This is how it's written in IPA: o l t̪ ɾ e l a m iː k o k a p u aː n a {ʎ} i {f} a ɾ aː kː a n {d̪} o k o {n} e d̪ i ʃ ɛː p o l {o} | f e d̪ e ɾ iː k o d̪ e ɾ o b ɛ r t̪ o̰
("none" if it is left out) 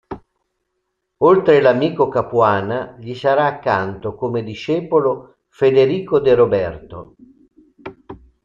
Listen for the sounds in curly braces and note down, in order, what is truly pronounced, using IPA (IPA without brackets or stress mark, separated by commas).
ʎ, s, t̪, m, o